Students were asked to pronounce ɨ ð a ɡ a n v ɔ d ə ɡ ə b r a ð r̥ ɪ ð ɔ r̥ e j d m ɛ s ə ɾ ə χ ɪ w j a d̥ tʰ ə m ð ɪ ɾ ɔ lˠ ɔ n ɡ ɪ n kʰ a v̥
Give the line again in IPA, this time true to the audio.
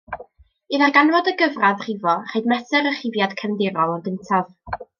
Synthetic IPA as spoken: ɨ ð a ɡ a n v ɔ d ə ɡ ə v r a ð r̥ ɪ v ɔ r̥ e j d m ɛ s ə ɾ ə χ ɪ v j a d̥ kʰ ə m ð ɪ ɾ ɔ lˠ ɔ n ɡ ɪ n tʰ a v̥